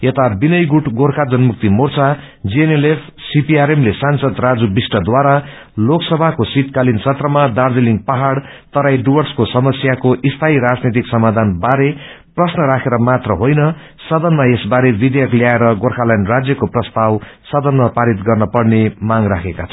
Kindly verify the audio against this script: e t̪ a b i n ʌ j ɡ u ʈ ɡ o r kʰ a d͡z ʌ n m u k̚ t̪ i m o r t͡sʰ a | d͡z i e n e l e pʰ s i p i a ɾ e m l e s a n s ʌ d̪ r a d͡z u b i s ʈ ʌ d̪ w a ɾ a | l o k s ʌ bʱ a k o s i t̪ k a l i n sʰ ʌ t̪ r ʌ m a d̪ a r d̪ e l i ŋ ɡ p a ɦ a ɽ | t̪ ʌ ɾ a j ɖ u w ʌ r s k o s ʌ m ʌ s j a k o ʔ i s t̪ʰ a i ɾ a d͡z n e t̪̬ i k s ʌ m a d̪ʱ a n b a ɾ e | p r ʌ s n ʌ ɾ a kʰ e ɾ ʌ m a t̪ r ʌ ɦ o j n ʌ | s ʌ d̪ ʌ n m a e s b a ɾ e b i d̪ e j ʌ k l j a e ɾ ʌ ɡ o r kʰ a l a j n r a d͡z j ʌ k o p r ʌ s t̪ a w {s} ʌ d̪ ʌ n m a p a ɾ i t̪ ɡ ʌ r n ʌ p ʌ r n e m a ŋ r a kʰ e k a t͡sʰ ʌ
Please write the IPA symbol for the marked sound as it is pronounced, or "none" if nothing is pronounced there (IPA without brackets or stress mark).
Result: s